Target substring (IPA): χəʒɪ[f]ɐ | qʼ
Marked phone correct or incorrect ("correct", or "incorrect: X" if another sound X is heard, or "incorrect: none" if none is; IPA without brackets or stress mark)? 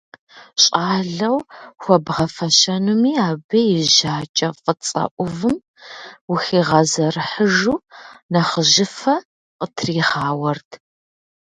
correct